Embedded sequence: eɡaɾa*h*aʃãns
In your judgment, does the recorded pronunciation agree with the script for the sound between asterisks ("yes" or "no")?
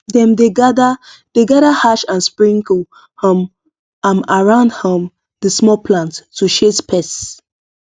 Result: yes